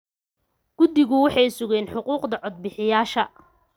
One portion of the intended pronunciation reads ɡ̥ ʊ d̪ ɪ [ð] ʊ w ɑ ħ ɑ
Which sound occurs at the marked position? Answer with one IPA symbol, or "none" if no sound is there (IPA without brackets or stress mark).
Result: ɣ